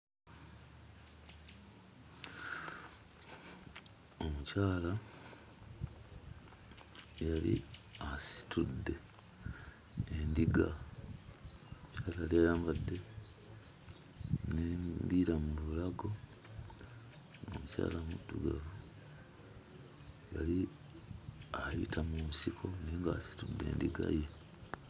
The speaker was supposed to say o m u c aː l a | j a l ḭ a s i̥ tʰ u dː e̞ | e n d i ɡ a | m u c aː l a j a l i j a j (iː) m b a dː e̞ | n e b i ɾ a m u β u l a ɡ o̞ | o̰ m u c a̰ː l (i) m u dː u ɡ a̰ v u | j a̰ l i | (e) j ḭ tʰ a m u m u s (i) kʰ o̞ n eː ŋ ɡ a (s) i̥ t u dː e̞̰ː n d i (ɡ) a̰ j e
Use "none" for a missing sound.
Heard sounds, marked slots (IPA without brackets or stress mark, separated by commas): aː, a, a, i, s, ɡ